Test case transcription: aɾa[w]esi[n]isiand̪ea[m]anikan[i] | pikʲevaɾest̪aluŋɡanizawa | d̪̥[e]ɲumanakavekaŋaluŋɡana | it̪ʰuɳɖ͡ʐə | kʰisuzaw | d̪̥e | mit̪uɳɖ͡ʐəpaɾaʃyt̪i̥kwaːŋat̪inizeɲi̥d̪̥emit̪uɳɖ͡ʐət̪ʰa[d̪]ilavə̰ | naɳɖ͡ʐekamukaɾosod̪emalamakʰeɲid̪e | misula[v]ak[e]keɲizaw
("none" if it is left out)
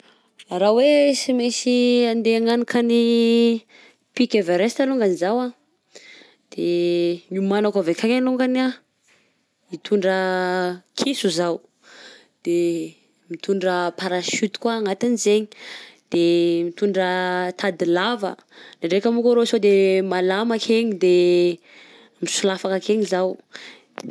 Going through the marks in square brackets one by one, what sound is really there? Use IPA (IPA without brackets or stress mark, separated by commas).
w, m, ŋ, i, e, d̪, f, a